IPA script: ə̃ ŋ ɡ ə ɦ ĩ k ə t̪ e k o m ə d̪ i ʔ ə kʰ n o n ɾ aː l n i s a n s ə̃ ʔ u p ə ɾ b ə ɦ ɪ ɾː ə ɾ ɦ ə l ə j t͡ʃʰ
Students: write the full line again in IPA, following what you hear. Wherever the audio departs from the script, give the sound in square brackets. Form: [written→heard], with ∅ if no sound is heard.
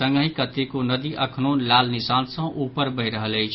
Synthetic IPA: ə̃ ŋ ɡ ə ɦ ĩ k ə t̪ e k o [m→n] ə d̪ i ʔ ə kʰ n o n [ɾ→l] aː l n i s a n s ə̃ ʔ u p ə ɾ b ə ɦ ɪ [ɾː→ɾ] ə [ɾ→∅] ɦ ə l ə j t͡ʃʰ